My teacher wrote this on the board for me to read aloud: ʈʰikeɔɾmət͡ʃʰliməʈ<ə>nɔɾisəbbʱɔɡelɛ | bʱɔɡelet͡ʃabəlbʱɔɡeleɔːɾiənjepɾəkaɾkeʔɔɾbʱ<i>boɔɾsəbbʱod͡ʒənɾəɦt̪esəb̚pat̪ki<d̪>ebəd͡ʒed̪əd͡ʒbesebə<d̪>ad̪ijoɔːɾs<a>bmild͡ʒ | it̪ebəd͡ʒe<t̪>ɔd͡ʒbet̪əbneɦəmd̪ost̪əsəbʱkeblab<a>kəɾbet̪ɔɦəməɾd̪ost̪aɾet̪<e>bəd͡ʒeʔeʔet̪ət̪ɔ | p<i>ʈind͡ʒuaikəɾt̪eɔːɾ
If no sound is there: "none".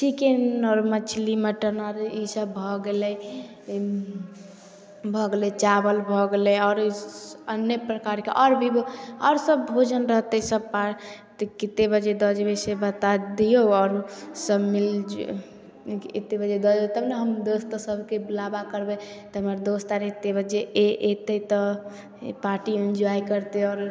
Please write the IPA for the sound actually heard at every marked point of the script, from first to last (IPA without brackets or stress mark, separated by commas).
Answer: ə, i, t̪, t̪, ə, d̪, a, e, a